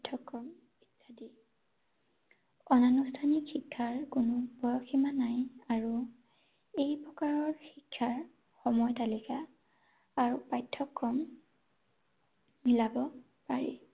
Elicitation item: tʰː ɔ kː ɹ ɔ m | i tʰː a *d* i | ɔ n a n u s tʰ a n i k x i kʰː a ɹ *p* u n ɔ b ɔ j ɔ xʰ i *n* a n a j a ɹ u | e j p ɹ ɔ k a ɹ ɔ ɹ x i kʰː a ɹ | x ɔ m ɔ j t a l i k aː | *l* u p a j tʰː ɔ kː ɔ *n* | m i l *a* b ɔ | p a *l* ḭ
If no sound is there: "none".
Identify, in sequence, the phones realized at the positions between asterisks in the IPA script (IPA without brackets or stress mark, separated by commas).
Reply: d, k, m, ɹ, m, a, ɹ